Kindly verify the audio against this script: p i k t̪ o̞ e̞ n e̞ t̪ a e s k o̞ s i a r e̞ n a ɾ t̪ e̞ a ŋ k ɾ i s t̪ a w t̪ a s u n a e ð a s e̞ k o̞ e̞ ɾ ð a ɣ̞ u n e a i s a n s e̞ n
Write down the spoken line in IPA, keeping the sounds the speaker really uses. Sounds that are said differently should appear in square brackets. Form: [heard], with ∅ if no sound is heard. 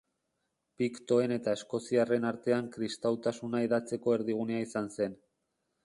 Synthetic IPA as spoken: p i k t̪ o̞ e̞ n e̞ t̪ a e s k o̞ s i a r e̞ n a ɾ t̪ e̞ a ŋ k ɾ i s t̪ a w t̪ a s u n a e ð a [t͡s] e̞ k o̞ e̞ ɾ ð [i] ɣ̞ u n e a i s a n s e̞ n